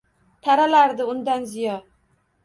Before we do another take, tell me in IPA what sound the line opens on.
t̪ʰ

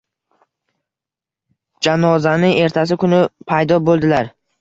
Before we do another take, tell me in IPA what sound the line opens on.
d͡ʒ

